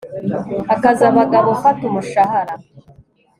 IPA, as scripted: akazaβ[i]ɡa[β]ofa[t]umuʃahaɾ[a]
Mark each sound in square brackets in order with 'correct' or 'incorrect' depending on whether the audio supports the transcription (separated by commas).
incorrect, correct, correct, correct